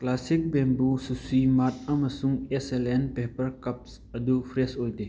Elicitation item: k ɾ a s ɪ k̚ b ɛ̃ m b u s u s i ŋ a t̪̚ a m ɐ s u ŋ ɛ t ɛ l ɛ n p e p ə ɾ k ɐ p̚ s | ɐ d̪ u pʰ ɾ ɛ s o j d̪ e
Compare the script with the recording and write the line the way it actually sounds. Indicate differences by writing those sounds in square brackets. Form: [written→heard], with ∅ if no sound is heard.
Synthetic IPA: k [ɾ→l] a s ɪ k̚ b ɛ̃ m b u s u s i [ŋ→m] a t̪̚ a m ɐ s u ŋ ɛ [t→s] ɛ l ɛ n p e p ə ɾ k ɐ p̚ s | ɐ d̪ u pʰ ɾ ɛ s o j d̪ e